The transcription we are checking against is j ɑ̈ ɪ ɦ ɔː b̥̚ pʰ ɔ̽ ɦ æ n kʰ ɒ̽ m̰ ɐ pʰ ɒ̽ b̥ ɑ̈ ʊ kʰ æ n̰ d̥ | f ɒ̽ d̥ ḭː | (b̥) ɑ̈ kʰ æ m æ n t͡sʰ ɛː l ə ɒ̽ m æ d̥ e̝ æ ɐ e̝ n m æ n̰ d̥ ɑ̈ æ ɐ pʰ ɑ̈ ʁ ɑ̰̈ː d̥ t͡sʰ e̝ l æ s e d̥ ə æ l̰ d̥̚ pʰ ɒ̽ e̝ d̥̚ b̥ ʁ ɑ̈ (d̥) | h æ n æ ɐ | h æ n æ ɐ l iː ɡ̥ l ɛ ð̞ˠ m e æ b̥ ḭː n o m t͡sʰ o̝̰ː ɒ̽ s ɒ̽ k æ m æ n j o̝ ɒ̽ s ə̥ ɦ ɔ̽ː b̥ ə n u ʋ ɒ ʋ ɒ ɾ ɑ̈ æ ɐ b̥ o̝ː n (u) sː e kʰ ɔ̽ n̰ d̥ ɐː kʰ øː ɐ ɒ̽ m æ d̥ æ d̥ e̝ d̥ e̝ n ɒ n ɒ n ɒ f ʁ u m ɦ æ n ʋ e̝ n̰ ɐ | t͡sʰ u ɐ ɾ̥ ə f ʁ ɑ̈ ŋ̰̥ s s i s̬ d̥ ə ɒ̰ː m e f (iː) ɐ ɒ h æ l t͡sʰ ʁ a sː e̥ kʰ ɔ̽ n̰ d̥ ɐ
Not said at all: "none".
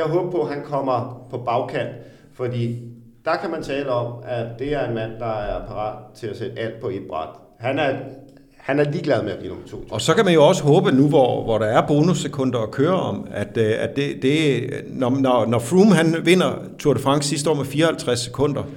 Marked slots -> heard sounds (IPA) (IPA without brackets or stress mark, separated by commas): d̥, d̥, u, iː